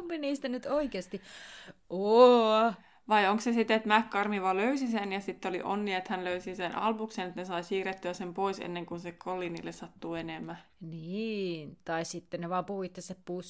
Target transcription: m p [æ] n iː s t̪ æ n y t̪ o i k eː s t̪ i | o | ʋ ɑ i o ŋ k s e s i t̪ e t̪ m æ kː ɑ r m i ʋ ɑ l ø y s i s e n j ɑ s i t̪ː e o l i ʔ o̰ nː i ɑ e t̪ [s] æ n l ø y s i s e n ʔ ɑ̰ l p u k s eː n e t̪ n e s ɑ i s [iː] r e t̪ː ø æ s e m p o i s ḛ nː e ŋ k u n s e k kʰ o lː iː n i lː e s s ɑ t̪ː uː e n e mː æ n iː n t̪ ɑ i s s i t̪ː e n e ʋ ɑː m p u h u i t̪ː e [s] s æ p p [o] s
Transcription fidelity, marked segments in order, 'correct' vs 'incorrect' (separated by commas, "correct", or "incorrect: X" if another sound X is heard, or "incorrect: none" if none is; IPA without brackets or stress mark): incorrect: i, incorrect: h, correct, correct, incorrect: u